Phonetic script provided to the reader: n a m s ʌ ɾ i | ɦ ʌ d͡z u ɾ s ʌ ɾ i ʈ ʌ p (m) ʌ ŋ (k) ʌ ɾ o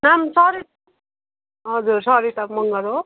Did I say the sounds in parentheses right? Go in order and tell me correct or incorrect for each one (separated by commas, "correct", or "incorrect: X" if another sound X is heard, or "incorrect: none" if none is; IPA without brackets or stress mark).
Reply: correct, incorrect: ɡ